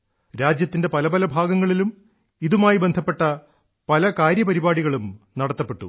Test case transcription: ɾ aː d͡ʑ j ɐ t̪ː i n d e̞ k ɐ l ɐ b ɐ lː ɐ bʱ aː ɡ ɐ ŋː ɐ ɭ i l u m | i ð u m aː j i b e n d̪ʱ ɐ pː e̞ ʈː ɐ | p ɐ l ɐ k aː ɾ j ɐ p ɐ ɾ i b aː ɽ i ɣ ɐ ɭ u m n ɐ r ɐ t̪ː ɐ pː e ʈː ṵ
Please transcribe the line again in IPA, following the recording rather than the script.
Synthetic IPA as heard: ɾ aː d͡ʑ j ɐ t̪ː i n d e̞ p ɐ l ɐ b ɐ l ɐ bʱ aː ɡ ɐ ŋː ɐ ɭ i l u m | i ð u m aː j i b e n d̪ʱ ɐ pː e̞ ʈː ɐ | p ɐ l ɐ k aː ɾ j ɐ p ɐ ɾ i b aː ɽ i ɣ ɐ ɭ u m n ɐ ɽ ɐ t̪ː ɐ pː e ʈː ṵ